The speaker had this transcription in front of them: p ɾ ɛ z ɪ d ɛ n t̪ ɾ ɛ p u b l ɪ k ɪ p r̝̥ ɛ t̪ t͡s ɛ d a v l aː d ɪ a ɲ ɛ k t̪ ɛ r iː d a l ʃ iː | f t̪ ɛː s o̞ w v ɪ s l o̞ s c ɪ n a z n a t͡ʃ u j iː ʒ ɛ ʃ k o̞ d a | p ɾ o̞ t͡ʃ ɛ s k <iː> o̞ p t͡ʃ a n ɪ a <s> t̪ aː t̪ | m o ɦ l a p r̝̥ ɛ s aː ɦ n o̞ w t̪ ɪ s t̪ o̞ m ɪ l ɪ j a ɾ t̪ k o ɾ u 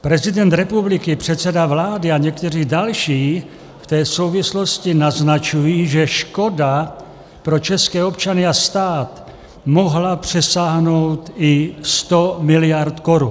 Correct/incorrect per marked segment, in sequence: incorrect, correct

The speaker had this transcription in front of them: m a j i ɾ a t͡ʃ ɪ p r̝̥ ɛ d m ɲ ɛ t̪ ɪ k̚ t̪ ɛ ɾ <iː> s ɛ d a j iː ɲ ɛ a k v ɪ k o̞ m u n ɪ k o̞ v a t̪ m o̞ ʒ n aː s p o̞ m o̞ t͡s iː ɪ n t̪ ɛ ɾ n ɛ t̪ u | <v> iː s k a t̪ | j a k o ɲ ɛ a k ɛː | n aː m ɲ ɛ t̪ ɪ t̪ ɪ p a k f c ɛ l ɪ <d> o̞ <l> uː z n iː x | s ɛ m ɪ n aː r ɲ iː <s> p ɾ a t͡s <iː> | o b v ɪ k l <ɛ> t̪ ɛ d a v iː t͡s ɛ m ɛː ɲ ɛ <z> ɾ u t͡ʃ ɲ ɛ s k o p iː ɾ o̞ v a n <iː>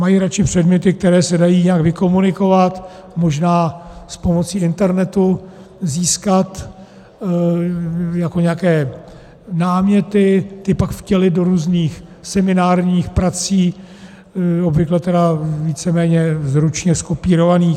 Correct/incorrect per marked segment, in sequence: incorrect, incorrect, correct, incorrect, incorrect, correct, correct, correct, correct

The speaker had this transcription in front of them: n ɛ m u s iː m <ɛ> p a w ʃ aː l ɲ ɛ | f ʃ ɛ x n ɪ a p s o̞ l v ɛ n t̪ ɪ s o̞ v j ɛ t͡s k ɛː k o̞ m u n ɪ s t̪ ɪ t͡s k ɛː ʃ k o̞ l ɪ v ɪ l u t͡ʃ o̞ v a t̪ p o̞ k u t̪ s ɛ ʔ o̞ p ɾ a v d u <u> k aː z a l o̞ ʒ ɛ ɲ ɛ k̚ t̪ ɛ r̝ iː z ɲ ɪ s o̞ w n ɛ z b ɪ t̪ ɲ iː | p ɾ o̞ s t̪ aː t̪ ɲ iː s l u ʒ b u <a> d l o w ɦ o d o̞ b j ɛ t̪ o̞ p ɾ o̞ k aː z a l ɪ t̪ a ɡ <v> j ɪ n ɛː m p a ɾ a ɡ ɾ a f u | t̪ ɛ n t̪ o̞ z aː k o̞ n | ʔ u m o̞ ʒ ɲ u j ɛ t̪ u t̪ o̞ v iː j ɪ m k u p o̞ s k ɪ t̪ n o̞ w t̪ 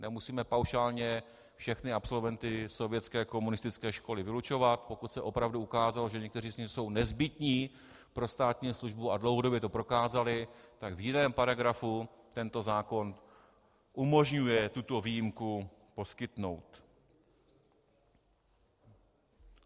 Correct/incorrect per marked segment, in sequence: correct, correct, correct, correct

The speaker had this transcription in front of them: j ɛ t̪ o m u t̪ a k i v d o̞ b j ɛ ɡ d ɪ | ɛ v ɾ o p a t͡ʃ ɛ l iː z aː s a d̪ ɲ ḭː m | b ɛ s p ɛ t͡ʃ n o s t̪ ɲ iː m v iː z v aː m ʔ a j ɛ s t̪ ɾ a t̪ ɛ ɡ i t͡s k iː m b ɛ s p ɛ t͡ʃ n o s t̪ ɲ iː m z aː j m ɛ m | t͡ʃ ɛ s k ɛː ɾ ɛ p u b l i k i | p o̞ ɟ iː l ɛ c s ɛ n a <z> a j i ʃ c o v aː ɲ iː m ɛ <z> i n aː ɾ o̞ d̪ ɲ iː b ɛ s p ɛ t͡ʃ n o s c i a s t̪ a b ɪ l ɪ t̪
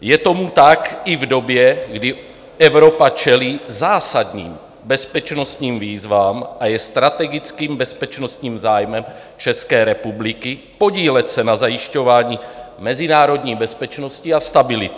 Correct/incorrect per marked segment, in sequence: correct, correct

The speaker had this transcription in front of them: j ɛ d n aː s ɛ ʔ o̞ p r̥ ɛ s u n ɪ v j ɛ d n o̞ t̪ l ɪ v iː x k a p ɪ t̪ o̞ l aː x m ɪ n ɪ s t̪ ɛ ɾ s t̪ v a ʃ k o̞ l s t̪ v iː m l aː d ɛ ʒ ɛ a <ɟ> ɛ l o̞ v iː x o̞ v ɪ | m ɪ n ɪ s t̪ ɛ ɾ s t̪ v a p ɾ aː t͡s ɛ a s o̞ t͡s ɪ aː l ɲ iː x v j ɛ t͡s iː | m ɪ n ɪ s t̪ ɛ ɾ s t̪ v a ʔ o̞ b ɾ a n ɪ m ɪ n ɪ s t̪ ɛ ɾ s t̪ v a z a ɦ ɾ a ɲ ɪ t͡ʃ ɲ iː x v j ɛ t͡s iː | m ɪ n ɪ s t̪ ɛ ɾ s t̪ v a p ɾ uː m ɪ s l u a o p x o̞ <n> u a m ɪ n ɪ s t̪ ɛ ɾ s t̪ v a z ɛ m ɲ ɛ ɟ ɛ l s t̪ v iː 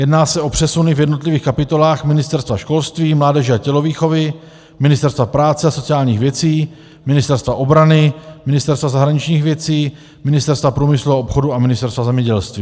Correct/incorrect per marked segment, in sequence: incorrect, incorrect

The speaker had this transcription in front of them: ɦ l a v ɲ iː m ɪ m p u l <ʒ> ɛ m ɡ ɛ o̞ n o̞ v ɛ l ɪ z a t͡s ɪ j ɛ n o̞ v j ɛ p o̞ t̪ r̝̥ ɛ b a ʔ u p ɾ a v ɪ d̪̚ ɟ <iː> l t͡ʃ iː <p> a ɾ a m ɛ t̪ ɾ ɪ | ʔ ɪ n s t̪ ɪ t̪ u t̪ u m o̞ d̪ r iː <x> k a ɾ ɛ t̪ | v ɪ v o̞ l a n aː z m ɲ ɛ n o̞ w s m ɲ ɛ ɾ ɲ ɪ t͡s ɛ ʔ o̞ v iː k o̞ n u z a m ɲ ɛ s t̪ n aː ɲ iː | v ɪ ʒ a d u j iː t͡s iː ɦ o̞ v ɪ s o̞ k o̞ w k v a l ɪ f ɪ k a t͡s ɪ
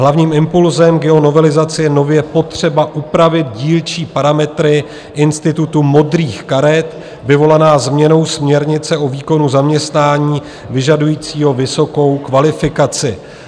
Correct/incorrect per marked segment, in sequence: incorrect, correct, correct, correct

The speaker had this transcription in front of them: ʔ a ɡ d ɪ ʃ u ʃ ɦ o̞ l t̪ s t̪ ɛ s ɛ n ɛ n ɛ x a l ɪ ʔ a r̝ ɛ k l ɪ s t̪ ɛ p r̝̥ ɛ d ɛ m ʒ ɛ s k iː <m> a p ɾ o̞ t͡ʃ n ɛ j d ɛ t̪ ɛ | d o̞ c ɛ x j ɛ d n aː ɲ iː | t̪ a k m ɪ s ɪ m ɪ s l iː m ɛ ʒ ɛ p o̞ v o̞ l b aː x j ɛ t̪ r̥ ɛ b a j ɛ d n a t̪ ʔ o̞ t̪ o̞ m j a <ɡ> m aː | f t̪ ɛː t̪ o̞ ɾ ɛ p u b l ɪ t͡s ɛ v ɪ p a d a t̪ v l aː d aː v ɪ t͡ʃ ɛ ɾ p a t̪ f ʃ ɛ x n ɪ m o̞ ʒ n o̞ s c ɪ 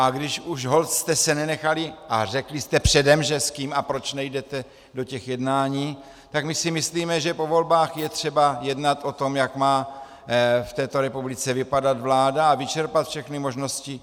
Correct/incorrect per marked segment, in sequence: correct, incorrect

